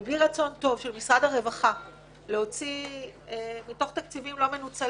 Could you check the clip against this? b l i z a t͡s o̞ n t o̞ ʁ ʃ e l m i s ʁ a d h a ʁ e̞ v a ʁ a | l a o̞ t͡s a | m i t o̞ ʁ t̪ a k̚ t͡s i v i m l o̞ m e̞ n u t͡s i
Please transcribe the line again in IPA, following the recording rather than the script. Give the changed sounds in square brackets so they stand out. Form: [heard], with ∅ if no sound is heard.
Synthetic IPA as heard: b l i [ʁ] a t͡s o̞ n t o̞ [v] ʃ e l m i s ʁ a d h a ʁ e̞ v a [χ] a | l [e] o̞ t͡s [i] | m i t o̞ [χ] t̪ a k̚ t͡s i v i m l o̞ m e̞ n u t͡s [a]